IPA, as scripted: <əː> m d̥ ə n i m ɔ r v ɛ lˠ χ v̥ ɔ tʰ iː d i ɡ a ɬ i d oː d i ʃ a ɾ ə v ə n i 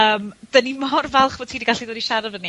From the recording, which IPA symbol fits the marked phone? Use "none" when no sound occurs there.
əː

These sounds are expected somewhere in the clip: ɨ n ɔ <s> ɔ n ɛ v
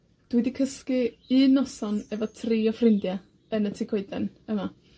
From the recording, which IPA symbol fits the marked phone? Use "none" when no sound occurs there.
s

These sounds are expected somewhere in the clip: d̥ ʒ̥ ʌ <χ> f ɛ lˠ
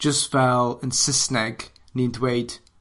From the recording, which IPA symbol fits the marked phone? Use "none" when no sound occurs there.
s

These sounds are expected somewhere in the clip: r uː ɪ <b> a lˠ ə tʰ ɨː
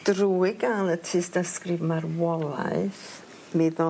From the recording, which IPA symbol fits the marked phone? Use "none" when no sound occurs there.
ɡ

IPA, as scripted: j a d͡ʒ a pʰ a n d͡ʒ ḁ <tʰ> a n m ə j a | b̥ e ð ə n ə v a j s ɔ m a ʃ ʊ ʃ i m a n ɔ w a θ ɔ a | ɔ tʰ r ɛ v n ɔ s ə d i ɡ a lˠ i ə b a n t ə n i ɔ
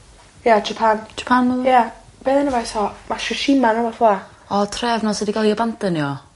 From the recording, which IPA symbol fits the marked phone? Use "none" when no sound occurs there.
pʰ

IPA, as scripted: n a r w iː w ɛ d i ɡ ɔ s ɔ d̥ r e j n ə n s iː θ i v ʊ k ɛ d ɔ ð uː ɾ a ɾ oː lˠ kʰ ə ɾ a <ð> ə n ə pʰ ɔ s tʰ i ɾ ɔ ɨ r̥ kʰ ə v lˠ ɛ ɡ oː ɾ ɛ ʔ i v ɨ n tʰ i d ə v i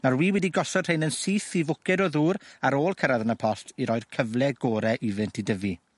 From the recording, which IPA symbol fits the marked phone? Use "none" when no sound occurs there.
ð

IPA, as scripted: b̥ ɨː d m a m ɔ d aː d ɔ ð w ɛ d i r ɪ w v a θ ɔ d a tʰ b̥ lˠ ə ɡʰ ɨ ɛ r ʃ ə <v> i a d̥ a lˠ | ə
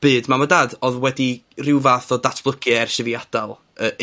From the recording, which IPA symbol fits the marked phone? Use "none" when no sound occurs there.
v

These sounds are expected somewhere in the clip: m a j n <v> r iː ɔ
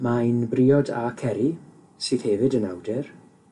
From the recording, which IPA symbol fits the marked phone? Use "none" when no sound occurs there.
b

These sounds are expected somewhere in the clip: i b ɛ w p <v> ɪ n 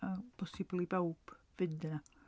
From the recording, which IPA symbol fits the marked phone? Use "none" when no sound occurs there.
v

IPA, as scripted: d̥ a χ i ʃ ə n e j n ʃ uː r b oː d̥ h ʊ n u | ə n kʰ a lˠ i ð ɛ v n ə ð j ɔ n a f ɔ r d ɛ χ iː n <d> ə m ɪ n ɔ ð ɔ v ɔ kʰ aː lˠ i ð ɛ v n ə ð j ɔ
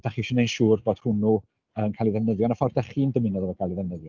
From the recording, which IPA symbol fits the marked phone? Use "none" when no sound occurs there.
d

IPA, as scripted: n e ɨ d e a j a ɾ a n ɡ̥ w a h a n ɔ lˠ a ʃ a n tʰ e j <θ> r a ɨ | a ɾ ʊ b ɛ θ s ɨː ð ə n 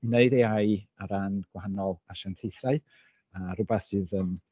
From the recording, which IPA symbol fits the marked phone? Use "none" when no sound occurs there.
θ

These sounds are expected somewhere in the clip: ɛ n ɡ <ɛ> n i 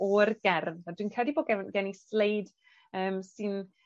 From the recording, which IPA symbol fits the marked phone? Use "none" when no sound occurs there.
ɛ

